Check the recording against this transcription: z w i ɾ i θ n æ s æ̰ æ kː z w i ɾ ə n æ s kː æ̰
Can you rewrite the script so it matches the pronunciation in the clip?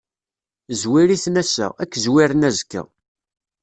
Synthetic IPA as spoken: z w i ɾ i θ n æ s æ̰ æ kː z w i ɾ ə n æ z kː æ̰